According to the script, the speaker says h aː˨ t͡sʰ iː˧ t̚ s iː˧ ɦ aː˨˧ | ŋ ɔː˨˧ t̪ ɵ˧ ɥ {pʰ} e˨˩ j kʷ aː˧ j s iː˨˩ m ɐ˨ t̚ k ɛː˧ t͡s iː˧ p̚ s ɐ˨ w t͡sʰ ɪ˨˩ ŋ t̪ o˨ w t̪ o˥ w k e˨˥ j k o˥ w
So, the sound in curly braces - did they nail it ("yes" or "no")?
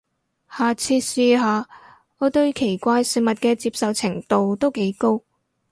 no